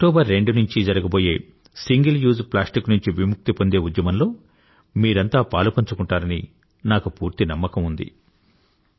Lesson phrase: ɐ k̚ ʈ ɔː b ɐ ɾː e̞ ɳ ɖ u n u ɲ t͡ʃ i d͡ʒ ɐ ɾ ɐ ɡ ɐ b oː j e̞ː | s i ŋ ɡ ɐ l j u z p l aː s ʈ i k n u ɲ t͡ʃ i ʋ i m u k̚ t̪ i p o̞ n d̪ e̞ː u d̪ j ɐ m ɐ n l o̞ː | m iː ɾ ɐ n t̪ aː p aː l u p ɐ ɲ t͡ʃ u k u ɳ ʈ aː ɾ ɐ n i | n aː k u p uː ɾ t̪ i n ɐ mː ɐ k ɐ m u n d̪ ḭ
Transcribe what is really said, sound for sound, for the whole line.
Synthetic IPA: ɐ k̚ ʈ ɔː b ɐ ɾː e̞ ɳ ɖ u n u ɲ t͡ʃ i d͡ʒ ɐ ɾ ɐ ɡ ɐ b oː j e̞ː | s i ŋ ɡ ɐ l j uː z p l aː s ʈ i k n u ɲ t͡ʃ i ʋ i m u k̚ t̪ i p o̞ n d̪ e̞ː u d̪ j ɐ m ɐ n l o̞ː | m iː ɾ ɐ n t̪ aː p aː l u p ɐ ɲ t͡ʃ u k u ɳ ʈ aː ɾ ɐ n i | n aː k u p uː ɾ t̪ i n ɐ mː ɐ k ɐ m u n d̪ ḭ